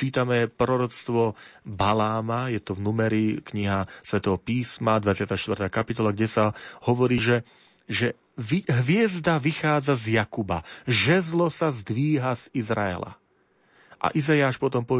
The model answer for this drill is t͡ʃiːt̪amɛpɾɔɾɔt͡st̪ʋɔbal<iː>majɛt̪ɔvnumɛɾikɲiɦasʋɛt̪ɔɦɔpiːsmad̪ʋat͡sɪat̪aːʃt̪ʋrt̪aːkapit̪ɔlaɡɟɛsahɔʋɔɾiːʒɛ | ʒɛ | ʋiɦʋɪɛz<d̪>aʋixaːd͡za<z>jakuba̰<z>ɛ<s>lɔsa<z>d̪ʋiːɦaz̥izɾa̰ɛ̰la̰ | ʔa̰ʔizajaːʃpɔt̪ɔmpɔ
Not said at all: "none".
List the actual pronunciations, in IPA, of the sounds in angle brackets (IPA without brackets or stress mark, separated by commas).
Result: aː, d̪, z, ʒ, z, z